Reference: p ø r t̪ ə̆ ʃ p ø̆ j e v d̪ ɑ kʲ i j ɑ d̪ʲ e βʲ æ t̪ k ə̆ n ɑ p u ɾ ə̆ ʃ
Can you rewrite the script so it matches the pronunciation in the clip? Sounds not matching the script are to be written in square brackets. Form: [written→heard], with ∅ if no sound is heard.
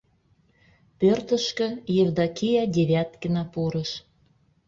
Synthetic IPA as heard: p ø r t̪ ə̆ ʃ [p→k] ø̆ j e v d̪ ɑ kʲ i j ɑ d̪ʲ e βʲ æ t̪ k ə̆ n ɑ p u ɾ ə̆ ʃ